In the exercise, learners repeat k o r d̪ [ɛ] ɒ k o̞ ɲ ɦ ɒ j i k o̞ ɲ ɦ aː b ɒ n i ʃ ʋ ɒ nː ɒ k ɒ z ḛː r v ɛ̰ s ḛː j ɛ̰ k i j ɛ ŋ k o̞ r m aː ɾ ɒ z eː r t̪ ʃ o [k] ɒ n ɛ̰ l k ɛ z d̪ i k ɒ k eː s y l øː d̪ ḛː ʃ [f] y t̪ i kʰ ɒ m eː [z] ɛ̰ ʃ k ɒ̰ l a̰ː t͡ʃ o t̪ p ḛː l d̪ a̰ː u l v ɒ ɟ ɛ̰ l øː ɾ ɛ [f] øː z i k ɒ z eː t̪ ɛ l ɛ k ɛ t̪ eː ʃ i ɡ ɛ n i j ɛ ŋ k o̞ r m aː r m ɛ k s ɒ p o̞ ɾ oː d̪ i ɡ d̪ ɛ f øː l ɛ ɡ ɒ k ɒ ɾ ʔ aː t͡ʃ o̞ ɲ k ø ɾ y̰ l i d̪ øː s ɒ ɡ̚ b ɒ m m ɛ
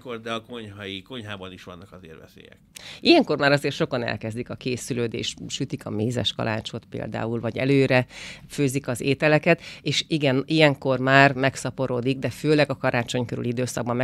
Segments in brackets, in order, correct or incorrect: correct, correct, incorrect, correct, correct

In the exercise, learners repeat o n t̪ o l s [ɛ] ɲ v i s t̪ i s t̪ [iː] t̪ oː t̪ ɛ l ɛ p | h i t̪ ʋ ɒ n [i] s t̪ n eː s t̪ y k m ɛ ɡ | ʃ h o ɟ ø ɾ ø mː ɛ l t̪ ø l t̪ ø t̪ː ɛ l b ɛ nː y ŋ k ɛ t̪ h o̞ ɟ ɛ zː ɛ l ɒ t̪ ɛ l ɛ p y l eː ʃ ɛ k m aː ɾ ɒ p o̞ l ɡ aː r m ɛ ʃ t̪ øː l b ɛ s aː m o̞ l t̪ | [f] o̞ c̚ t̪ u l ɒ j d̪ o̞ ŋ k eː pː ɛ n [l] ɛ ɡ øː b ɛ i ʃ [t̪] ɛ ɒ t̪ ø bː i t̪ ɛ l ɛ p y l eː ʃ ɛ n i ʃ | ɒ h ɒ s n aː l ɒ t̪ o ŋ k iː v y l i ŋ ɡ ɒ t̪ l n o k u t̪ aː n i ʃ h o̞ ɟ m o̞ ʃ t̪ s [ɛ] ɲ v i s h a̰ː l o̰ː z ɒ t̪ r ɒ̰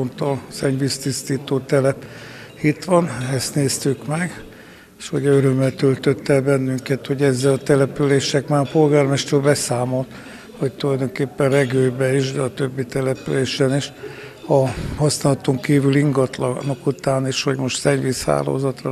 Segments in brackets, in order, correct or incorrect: correct, correct, incorrect, incorrect, incorrect, incorrect, correct

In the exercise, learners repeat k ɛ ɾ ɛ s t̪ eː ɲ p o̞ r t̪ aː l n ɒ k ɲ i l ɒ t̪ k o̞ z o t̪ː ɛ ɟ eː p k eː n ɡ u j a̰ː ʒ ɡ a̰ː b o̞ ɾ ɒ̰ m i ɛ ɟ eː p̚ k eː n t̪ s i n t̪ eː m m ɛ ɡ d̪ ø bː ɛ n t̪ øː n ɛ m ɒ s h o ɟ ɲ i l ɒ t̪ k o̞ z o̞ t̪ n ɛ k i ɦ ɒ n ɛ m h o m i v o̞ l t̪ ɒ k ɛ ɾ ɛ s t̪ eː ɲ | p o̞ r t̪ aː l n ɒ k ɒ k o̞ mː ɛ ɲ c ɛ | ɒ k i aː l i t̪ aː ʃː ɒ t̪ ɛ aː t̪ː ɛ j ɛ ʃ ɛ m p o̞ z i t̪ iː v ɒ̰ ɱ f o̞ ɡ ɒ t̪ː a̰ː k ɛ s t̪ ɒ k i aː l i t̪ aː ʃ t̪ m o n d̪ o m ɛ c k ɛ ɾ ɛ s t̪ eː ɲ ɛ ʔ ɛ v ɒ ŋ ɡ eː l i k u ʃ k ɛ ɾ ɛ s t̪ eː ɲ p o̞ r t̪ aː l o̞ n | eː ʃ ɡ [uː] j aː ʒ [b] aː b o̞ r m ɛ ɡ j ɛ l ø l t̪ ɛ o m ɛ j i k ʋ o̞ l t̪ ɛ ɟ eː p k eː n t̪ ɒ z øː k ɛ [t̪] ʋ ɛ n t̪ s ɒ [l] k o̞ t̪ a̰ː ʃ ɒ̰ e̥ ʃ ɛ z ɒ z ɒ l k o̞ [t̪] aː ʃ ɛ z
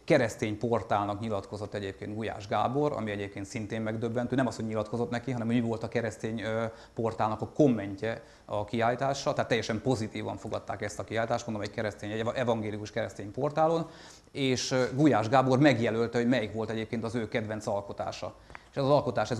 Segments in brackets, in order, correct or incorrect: incorrect, incorrect, incorrect, correct, correct

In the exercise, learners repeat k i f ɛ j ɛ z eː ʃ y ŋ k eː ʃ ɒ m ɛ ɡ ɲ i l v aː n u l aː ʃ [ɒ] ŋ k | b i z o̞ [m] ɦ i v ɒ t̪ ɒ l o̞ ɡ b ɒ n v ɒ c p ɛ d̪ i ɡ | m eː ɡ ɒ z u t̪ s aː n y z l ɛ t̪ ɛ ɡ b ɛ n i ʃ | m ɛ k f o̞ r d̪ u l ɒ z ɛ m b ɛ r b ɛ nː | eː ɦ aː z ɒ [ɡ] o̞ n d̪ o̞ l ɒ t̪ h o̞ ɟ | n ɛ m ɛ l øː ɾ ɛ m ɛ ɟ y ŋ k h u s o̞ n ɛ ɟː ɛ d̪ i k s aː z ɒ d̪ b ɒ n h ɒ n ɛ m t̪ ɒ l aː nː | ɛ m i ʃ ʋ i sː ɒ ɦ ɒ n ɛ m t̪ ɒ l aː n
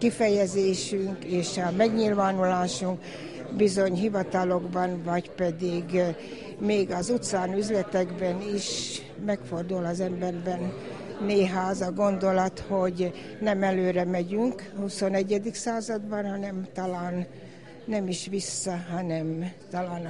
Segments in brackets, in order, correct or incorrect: incorrect, incorrect, correct

